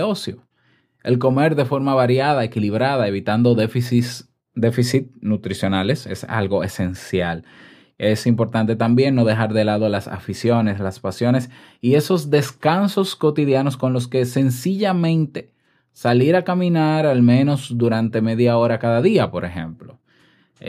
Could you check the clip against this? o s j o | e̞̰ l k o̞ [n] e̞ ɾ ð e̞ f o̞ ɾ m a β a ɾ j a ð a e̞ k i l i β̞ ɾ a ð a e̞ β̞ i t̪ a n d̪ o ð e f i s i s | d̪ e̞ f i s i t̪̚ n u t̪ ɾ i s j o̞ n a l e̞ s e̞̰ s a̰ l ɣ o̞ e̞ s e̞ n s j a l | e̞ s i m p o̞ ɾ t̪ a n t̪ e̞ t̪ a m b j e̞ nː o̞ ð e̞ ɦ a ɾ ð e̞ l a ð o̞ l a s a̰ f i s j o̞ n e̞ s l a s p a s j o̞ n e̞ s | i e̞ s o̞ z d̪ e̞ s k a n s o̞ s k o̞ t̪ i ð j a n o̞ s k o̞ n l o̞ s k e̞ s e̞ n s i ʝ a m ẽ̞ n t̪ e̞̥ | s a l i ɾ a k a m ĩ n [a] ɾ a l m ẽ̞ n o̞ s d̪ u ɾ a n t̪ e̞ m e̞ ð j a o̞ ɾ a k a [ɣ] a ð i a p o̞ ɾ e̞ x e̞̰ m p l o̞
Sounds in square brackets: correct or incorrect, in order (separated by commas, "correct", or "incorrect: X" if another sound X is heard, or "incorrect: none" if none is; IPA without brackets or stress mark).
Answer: incorrect: m, correct, incorrect: ð